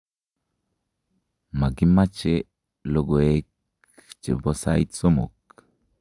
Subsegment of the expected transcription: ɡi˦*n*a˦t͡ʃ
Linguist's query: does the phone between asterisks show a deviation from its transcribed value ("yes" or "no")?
yes